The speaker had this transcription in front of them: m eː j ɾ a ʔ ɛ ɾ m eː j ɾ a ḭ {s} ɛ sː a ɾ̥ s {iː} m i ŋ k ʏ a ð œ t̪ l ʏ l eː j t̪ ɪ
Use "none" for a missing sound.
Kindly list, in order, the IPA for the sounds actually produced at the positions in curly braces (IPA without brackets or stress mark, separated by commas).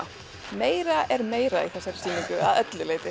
θ, iː